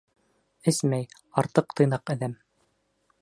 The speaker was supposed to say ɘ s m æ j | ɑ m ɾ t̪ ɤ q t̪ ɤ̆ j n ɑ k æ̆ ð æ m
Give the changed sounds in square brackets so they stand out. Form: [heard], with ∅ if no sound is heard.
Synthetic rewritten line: ɘ s m æ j | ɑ [∅] ɾ t̪ ɤ q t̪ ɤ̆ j n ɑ [q] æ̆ ð æ m